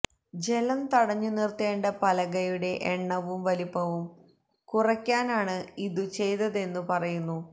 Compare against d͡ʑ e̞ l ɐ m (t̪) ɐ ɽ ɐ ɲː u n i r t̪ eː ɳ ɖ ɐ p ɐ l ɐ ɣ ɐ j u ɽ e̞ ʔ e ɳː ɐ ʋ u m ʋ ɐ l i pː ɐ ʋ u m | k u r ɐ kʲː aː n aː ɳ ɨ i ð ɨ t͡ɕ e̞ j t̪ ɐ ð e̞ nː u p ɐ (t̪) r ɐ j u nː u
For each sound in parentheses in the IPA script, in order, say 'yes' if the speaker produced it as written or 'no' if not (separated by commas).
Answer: yes, no